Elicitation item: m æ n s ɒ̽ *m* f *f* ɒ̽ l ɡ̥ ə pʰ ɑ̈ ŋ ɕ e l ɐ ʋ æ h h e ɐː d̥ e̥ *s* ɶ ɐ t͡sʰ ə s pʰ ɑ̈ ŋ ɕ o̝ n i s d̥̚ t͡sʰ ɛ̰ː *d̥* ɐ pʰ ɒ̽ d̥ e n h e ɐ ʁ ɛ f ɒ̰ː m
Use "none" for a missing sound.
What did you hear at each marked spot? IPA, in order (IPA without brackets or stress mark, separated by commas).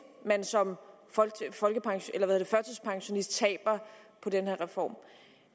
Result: m, f, f, b̥